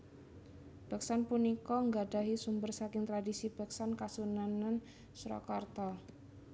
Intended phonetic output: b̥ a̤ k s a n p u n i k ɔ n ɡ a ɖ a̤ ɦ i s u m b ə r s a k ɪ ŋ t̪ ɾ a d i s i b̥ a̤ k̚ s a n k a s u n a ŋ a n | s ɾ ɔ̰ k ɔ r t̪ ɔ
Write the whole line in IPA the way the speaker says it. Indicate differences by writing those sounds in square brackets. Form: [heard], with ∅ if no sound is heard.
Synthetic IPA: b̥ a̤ k s a n p u n i k ɔ [ŋ] ɡ a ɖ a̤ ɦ i s u m b ə r s a k ɪ ŋ t̪ ɾ a d i s i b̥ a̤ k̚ s a n k a s u n a [n] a n | s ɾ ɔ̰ k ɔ r t̪ ɔ